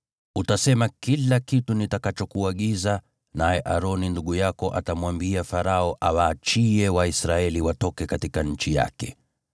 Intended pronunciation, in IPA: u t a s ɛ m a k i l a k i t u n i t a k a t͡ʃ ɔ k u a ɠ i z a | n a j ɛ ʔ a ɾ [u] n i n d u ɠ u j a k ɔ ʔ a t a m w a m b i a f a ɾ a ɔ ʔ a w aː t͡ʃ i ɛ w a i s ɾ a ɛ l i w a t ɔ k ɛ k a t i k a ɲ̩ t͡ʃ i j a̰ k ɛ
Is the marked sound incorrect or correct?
incorrect